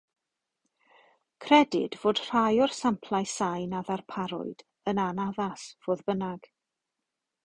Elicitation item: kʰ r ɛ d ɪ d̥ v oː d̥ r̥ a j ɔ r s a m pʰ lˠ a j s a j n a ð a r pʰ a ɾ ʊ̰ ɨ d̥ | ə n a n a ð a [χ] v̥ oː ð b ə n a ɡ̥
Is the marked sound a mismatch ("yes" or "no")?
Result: yes